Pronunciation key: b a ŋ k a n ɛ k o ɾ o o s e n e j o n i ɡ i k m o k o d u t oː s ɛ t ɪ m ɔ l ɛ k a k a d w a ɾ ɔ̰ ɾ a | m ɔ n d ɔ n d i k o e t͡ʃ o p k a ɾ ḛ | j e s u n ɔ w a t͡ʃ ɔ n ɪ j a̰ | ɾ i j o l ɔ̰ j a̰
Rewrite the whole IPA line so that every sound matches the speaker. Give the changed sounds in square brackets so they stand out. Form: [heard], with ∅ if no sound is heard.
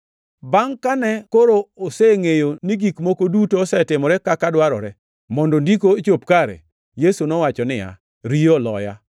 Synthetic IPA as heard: b a ŋ k a n ɛ k o ɾ o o s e [ŋ] e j o n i ɡ i k m o k o d u t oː s ɛ t ɪ m ɔ [ɾ] ɛ k a k a d w a ɾ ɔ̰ ɾ [ɛ] | m ɔ n d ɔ n d i k o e t͡ʃ o p k a ɾ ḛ | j e s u n ɔ w a t͡ʃ ɔ n ɪ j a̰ | ɾ i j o l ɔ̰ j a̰